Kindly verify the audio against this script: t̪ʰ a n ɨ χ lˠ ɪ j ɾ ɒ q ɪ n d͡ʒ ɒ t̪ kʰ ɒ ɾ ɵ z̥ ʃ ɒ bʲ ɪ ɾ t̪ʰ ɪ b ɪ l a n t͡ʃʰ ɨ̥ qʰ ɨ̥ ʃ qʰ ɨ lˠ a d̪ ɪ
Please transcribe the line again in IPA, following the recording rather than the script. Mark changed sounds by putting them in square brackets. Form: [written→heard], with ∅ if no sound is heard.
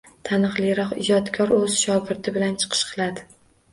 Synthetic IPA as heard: t̪ʰ a n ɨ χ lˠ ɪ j ɾ ɒ q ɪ [n→∅] d͡ʒ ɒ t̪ kʰ ɒ ɾ ɵ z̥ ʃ ɒ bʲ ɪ ɾ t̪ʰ ɪ b ɪ l a n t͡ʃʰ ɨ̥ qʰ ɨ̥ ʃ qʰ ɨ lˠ a d̪ ɪ